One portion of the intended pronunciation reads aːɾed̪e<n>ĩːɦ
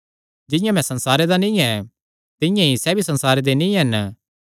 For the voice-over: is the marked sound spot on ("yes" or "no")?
yes